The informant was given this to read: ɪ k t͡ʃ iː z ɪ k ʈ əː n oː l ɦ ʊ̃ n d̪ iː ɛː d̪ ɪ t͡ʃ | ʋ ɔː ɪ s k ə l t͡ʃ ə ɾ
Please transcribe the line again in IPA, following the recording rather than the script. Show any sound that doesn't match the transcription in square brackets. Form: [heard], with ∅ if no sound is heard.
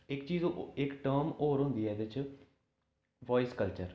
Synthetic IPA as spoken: ɪ k t͡ʃ iː z ɪ k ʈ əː [m] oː [ɾ] ɦ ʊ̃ n d̪ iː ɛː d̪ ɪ t͡ʃ | ʋ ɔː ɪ s k ə l t͡ʃ ə ɾ